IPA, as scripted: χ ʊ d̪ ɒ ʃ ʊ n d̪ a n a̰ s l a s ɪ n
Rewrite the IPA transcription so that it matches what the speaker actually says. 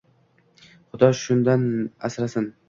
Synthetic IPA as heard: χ ʊ d̪ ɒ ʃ ʊ n d̪ a n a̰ s ɾ a s ɪ n